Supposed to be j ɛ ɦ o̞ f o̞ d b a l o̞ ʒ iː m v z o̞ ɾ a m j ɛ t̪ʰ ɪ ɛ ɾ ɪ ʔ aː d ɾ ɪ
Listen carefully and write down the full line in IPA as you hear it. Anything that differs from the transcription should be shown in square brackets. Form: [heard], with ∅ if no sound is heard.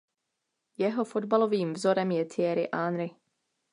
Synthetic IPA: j ɛ ɦ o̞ f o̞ d b a l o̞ [v] iː m v z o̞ ɾ [ɛ] m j ɛ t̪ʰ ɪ ɛ ɾ ɪ ʔ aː [n] ɾ ɪ